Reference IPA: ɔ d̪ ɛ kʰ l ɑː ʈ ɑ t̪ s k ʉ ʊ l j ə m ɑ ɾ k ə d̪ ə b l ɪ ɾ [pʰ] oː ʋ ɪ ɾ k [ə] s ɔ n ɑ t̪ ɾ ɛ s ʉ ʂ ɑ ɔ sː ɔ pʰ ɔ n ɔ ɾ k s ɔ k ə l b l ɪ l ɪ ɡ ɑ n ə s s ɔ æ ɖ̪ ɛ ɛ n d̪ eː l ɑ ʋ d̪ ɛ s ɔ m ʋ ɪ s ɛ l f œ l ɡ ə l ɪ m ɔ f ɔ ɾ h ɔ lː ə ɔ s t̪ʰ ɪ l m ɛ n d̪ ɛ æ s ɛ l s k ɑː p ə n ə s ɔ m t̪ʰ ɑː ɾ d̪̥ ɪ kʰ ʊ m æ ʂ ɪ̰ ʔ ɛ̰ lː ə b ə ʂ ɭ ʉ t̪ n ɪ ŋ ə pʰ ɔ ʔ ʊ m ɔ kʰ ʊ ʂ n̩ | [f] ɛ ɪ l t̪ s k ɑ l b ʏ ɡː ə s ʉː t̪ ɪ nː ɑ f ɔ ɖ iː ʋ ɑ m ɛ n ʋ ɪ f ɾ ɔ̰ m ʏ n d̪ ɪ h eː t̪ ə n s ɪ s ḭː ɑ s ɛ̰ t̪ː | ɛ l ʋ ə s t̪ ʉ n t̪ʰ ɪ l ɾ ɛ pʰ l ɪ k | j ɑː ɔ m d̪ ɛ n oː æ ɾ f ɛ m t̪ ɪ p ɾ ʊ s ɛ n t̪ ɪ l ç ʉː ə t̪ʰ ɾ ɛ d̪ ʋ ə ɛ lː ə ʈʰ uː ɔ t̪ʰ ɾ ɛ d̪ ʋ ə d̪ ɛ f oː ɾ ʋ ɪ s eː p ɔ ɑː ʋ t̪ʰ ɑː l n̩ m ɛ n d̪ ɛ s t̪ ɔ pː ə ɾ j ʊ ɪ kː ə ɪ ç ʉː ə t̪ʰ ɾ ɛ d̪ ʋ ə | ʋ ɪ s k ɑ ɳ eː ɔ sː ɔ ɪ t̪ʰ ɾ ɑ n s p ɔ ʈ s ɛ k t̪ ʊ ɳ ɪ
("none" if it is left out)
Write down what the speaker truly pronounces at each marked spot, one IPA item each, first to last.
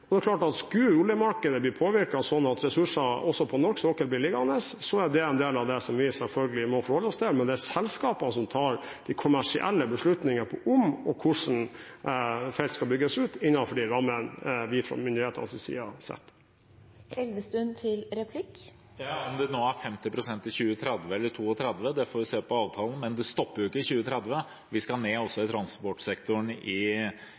pʰ, ɑ, f

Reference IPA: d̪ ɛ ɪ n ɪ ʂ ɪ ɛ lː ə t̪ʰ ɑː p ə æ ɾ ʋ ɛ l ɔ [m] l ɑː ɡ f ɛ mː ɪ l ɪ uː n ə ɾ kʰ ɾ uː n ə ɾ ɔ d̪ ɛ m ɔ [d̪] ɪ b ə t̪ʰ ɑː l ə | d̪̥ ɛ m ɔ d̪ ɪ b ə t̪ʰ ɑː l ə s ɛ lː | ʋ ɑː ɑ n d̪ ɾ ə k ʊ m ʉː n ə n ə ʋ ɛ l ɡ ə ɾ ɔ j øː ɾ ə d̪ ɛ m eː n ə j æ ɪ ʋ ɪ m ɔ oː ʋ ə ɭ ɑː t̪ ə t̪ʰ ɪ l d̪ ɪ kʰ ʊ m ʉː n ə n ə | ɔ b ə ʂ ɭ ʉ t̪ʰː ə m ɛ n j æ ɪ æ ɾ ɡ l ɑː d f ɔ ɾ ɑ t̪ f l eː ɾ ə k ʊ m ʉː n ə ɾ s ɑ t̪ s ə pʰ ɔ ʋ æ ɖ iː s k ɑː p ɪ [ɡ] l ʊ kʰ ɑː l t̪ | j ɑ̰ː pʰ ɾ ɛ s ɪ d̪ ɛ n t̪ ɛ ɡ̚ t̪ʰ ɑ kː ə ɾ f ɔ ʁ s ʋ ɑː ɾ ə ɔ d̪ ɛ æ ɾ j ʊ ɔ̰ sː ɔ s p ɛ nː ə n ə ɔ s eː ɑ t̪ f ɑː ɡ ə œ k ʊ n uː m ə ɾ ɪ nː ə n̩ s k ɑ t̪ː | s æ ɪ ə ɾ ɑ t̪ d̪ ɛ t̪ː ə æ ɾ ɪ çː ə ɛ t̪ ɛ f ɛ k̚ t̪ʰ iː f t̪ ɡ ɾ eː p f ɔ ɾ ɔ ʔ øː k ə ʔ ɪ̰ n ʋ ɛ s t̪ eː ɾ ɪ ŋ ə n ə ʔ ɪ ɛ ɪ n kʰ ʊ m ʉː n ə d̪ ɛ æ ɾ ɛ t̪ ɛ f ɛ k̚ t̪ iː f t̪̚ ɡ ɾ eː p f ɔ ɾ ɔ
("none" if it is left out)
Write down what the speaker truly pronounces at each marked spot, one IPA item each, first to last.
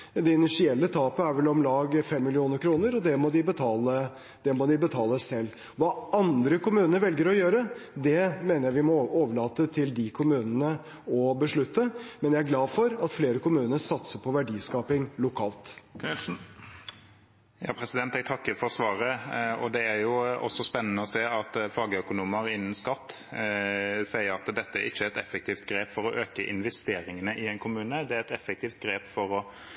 m, d̪, ŋ

